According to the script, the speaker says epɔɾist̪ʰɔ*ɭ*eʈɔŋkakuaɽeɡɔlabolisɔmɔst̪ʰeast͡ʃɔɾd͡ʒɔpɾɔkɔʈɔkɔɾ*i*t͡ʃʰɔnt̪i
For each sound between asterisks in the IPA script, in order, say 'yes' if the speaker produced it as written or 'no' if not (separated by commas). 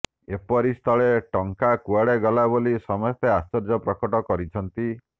yes, yes